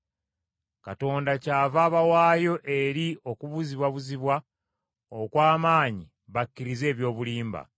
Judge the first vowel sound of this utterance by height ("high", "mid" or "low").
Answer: low